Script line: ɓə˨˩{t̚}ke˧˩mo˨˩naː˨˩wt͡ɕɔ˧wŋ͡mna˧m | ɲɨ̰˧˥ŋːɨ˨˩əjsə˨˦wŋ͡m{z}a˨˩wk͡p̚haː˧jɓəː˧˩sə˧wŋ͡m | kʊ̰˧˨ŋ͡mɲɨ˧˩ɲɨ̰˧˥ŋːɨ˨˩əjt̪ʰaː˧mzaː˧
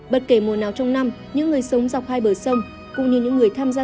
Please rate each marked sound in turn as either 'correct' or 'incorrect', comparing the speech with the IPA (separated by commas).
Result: correct, correct